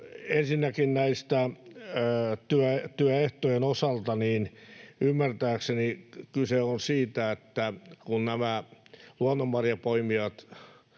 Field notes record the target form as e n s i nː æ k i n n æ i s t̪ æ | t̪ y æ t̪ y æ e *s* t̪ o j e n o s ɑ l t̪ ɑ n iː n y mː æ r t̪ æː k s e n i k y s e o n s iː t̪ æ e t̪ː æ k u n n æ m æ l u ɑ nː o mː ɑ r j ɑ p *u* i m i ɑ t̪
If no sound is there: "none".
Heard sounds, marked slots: h, o

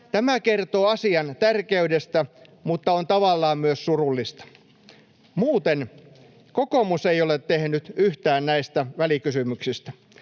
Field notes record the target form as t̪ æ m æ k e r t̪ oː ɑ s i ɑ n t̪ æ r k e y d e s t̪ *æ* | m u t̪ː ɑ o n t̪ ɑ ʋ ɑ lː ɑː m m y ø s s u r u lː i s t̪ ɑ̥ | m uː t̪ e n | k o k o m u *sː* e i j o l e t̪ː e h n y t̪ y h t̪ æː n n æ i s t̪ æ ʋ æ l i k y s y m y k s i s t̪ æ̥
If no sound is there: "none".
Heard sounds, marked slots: æ, s

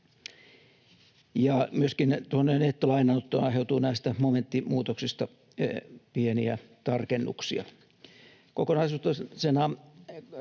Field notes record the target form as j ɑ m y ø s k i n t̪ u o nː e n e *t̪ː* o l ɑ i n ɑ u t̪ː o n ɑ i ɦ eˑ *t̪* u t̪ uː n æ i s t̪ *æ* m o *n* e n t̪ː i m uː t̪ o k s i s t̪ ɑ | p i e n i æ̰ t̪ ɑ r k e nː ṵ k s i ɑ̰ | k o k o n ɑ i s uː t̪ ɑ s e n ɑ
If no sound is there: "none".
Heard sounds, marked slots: t̪ː, none, æ, m

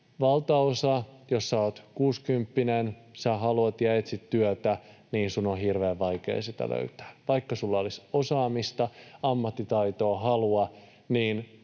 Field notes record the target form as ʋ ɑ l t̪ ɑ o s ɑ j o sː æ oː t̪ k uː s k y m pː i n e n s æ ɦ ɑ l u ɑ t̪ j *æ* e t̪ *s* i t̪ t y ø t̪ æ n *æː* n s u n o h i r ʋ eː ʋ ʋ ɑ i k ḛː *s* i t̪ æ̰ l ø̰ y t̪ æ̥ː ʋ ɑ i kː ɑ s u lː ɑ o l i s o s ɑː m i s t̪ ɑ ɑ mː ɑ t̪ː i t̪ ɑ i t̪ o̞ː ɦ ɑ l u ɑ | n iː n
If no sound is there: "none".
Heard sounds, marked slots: æ, s, iː, s

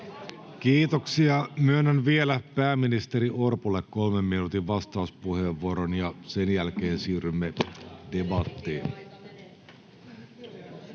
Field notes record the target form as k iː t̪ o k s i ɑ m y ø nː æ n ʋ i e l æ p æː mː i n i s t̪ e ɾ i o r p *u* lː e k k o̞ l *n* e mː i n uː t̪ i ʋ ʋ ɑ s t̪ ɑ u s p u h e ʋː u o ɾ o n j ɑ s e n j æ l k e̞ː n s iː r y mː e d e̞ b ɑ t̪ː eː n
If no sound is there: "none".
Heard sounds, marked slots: u, m

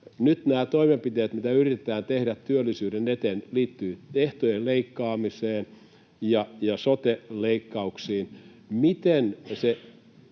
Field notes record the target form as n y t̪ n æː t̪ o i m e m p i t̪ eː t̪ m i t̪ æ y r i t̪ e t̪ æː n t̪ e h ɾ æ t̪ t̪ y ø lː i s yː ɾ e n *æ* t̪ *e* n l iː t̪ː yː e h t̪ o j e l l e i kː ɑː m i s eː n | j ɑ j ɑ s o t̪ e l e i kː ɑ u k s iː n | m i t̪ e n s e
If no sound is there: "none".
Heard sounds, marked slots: e, e

